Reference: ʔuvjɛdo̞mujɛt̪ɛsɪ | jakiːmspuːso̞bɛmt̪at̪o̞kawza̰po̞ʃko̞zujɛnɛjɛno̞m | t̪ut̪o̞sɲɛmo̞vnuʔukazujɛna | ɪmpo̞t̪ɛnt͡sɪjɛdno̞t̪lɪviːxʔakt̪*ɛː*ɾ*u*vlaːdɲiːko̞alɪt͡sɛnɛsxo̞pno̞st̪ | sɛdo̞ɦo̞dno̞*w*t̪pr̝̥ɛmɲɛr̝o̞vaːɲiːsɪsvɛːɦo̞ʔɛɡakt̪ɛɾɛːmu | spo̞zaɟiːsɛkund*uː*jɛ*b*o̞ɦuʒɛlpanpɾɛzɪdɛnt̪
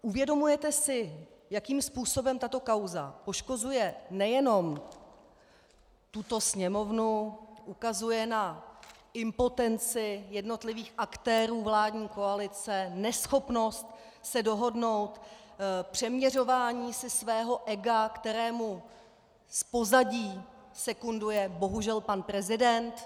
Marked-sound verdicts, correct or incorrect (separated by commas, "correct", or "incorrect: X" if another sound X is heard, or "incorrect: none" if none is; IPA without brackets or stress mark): correct, incorrect: uː, correct, incorrect: u, correct